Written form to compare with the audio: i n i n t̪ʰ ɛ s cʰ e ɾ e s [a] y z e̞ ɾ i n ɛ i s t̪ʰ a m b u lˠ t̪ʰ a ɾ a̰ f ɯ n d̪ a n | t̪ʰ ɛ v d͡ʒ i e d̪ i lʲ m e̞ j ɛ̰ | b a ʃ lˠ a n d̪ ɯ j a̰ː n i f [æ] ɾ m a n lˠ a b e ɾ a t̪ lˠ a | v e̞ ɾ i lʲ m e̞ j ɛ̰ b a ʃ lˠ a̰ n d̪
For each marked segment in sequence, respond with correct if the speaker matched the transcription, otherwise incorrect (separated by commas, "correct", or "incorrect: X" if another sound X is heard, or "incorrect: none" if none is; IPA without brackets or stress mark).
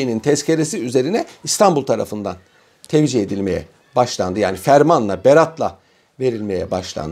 incorrect: i, correct